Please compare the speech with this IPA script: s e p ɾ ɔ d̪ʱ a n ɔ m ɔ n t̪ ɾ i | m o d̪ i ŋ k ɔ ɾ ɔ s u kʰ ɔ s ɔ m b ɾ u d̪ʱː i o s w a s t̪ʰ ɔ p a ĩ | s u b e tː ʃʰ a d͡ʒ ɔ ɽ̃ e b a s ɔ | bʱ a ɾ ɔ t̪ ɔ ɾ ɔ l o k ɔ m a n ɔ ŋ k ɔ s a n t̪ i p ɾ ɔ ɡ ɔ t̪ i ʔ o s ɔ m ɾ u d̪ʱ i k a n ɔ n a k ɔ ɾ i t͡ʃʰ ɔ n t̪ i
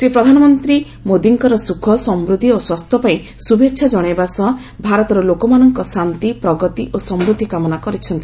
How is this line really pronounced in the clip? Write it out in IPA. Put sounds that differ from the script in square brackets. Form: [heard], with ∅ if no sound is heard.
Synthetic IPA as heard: s e p ɾ ɔ d̪ʱ a n ɔ m ɔ n t̪ ɾ i | m o d̪ i ŋ k ɔ ɾ ɔ s u kʰ ɔ s ɔ m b ɾ u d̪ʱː i o s w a s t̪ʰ ɔ p a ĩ | s u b e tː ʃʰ a d͡ʒ ɔ ɽ̃ e b a s ɔ | bʱ a ɾ ɔ t̪ ɔ ɾ ɔ l o k ɔ m a n ɔ ŋ k ɔ s a n t̪ i p ɾ ɔ ɡ ɔ t̪ i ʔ o s ɔ m ɾ u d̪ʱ i k a [m] ɔ n a k ɔ ɾ i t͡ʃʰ ɔ n t̪ i